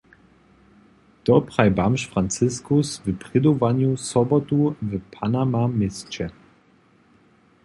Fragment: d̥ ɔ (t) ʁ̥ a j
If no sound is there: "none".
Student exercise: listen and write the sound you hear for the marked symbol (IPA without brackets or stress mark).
p